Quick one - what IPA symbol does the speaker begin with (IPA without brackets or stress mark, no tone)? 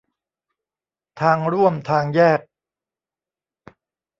t̪ʰ